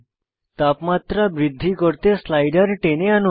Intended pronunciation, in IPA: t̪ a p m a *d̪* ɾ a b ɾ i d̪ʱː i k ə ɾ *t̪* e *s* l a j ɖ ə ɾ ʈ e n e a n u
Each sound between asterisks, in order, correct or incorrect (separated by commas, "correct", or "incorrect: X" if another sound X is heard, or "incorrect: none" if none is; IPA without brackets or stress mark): incorrect: t̪, correct, correct